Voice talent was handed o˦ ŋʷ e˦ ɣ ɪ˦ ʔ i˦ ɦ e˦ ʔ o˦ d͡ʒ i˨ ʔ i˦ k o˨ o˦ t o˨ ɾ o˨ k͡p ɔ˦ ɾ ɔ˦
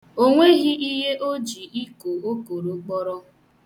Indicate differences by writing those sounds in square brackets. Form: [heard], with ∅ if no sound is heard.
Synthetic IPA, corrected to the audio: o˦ ŋʷ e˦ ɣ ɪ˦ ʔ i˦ ɦ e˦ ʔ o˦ d͡ʒ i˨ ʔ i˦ k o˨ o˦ [k] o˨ ɾ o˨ k͡p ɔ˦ ɾ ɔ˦